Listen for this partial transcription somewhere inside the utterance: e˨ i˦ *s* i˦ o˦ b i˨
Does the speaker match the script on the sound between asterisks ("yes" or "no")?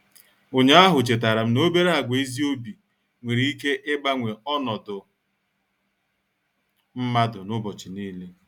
no